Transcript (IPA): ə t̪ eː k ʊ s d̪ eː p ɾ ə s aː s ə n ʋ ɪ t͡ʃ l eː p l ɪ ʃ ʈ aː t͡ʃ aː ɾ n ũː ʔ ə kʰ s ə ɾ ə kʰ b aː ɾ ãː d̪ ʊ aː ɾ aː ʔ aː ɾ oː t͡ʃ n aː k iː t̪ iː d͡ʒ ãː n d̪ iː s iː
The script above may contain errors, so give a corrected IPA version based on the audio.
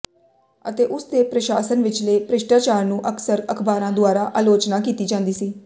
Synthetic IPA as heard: ə t̪ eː ʔ ʊ s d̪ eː p ɾ ə ʃ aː s ə n ʋ ɪ t͡ʃ l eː p ɾ ɪ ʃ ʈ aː t͡ʃ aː ɾ n ũː ʔ ə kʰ s ə ɾ ə kʰ b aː ɾ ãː d̪ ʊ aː ɾ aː ʔ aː l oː t͡ʃ n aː k iː t̪ iː d͡ʒ ãː n d̪ iː s iː